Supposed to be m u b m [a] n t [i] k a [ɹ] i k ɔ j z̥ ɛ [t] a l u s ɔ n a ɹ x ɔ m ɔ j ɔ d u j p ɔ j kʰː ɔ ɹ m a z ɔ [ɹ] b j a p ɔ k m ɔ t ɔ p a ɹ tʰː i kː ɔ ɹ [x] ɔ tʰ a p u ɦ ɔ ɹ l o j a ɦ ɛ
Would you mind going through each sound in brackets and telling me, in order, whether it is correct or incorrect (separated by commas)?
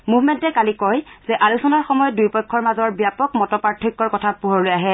incorrect, incorrect, incorrect, incorrect, correct, incorrect